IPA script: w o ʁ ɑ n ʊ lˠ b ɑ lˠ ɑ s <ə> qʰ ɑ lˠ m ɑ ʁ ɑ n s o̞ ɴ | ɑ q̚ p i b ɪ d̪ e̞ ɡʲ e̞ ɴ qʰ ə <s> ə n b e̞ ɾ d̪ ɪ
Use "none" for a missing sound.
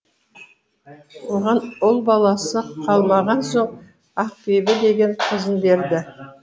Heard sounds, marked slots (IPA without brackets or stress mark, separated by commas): ə, z